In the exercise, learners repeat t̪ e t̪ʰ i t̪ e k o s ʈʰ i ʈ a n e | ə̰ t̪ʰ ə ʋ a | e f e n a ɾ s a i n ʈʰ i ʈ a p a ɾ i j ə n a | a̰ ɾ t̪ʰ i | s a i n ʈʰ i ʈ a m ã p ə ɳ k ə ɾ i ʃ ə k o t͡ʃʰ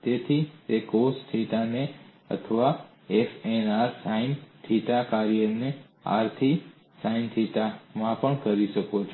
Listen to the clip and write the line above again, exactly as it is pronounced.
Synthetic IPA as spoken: t̪ e t̪ʰ i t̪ e k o s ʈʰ i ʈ a n e | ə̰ t̪ʰ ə ʋ a | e f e n a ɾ s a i n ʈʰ i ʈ a k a ɾ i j ə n e | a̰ ɾ t̪ʰ i | s a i n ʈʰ i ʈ a m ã p ə ɳ k ə ɾ i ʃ ə k o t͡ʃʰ